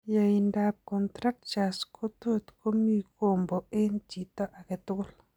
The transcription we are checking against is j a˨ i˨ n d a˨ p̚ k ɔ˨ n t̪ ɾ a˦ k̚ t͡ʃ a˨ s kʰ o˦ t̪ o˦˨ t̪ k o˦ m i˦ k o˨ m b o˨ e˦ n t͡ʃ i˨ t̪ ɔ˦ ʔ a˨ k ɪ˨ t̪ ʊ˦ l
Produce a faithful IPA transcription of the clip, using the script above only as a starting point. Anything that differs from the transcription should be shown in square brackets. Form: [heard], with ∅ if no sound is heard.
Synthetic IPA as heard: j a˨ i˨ n d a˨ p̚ k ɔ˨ n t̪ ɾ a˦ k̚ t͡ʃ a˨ s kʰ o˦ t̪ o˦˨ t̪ k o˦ m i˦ k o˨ m b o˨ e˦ n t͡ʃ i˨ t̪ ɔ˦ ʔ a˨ k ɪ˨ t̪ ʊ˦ l